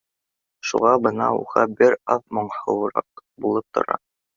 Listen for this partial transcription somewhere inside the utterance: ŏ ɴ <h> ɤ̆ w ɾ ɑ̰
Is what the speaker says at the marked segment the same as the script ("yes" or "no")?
yes